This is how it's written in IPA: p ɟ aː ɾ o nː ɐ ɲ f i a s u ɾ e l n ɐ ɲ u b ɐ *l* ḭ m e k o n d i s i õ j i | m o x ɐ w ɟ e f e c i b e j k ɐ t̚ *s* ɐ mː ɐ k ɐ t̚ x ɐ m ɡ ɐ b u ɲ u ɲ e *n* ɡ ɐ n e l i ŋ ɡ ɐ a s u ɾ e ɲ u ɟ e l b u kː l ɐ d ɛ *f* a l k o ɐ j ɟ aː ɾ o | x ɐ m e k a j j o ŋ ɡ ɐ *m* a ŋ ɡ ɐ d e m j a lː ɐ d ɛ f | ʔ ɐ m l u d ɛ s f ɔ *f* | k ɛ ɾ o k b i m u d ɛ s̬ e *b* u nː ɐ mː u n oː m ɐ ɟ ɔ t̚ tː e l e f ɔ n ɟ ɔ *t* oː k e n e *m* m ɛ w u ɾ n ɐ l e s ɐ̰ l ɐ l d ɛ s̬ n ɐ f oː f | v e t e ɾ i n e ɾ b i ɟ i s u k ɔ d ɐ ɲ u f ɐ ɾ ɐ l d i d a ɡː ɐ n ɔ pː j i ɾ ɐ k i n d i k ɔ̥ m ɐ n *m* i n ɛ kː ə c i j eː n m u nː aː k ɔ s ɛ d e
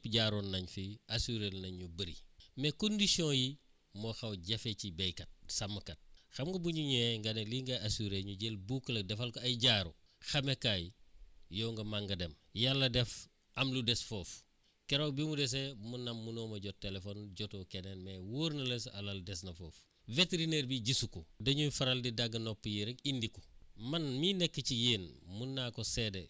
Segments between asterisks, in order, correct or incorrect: incorrect: ɾ, correct, incorrect: ŋ, correct, correct, correct, incorrect: m, correct, incorrect: n, correct

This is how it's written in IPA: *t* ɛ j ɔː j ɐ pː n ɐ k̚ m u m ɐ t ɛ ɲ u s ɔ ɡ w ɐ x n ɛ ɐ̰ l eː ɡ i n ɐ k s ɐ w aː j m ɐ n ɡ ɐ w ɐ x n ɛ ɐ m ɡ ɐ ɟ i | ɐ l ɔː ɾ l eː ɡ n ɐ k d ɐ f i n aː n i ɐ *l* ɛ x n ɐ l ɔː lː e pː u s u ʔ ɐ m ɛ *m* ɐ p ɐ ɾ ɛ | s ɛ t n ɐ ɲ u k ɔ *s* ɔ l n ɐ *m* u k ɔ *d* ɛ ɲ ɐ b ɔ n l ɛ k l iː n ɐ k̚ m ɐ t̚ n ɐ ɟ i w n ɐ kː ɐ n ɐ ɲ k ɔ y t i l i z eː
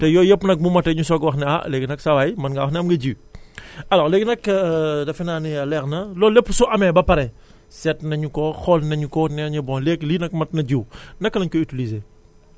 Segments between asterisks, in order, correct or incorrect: correct, correct, incorrect: b, incorrect: x, incorrect: ɲ, incorrect: n

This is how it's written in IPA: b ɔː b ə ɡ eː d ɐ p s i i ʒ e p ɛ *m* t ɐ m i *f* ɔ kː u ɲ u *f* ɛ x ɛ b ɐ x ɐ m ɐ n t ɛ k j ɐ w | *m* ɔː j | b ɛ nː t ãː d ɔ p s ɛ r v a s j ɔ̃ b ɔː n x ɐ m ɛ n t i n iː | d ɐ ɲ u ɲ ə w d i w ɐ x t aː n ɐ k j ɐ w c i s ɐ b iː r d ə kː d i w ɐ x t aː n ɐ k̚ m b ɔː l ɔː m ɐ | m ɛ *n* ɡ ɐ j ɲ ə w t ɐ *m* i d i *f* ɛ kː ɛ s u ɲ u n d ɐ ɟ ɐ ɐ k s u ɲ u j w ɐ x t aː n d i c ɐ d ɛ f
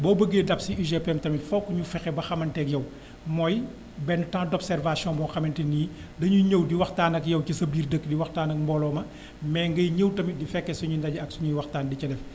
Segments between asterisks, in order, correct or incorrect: correct, correct, correct, correct, incorrect: ŋ, correct, correct

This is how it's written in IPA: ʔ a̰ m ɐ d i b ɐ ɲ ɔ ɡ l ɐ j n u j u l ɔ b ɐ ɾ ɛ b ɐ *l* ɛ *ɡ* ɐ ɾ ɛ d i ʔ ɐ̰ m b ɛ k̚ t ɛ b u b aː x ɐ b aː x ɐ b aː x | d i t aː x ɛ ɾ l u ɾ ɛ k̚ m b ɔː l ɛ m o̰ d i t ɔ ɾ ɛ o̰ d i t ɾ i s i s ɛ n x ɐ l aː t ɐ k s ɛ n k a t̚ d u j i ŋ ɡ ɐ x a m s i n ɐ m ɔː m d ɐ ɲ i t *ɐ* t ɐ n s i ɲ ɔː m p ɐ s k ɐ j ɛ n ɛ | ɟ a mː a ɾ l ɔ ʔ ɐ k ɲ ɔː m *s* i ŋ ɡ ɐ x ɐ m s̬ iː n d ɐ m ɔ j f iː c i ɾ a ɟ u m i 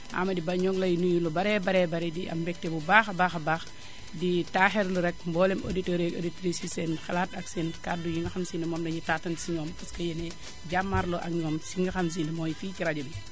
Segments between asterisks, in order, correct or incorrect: incorrect: ɾ, incorrect: b, incorrect: a, correct

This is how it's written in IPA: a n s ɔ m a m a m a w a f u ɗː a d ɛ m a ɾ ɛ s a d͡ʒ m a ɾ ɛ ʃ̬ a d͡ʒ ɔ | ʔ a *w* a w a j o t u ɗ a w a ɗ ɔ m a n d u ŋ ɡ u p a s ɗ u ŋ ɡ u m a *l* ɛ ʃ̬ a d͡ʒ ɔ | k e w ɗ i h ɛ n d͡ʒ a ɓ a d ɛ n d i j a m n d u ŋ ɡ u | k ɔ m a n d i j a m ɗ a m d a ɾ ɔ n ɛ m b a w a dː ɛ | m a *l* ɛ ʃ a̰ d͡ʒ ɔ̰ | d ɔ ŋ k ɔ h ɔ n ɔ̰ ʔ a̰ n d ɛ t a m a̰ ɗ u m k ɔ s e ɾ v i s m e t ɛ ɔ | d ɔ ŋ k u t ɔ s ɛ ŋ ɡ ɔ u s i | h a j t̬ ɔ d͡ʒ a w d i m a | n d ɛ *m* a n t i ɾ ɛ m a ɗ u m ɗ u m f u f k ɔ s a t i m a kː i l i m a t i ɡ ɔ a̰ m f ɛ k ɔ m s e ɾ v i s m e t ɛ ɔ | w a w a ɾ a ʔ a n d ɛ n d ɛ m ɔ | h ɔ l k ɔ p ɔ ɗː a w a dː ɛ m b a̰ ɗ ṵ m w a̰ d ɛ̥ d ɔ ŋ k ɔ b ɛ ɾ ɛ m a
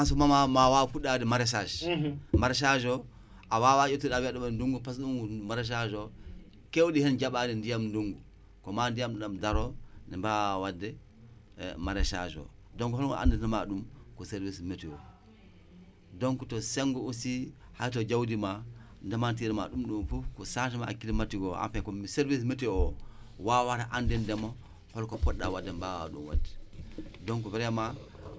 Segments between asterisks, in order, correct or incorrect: correct, incorrect: ɾ, incorrect: ɾ, correct

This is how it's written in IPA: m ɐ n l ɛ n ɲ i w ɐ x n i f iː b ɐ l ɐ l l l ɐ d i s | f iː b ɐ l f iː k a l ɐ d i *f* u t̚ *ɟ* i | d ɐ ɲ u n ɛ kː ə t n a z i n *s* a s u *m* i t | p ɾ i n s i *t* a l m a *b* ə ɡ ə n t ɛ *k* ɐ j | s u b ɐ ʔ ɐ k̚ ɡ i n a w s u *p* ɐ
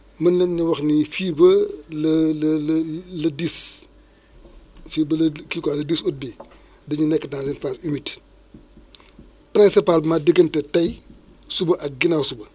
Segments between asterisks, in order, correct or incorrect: incorrect: s, incorrect: b, incorrect: f, correct, incorrect: p, incorrect: d, incorrect: t, incorrect: b

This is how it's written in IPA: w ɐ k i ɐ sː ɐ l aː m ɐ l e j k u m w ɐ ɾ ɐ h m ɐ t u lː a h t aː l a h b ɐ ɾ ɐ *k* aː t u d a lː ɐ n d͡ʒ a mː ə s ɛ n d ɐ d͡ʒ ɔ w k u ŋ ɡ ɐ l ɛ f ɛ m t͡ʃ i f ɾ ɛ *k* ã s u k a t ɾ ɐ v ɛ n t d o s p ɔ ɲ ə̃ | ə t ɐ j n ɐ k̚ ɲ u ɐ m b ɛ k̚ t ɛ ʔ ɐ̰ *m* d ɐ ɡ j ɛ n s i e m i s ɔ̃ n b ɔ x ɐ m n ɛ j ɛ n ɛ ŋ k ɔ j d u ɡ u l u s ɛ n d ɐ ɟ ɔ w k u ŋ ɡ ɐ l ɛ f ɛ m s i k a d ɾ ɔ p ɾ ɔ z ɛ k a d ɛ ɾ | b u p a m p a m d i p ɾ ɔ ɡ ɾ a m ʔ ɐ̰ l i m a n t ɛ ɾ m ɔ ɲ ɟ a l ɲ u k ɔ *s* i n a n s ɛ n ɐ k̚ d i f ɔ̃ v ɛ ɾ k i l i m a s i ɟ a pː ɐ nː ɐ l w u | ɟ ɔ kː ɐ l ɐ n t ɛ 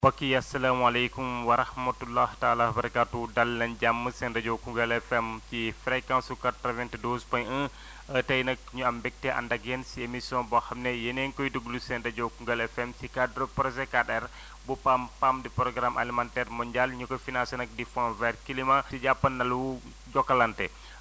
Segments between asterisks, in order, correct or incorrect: correct, correct, incorrect: n, incorrect: f

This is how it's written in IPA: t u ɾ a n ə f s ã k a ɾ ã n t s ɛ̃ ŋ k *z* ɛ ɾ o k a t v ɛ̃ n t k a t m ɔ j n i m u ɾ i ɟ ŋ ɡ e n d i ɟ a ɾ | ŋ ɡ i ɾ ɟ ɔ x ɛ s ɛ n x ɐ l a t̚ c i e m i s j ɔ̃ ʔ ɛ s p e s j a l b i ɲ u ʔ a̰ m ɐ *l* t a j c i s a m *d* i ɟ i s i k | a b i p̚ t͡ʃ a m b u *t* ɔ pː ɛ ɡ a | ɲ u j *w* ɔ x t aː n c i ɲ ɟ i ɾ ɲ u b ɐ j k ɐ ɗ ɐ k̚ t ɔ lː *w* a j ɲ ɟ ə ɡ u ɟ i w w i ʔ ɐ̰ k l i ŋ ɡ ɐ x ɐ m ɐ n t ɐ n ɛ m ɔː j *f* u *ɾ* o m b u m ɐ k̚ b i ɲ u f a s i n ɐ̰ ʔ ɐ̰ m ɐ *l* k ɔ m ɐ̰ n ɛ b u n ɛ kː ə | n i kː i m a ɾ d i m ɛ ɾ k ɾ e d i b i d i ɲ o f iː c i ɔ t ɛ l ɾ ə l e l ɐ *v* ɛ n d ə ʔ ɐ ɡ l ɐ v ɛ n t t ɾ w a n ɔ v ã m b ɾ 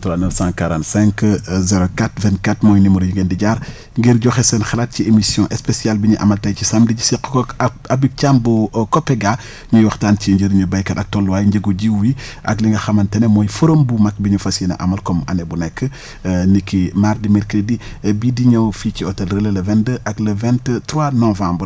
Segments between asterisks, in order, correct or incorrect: correct, correct, correct, incorrect: k, correct, correct, correct, correct, correct, correct

